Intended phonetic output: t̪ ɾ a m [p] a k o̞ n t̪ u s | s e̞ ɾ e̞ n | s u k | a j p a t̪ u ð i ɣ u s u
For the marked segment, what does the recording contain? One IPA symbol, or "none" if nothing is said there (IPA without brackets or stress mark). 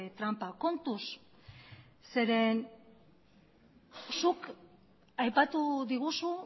p